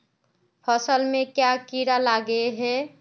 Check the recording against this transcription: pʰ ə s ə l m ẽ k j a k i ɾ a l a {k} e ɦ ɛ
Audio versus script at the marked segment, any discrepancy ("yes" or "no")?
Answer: yes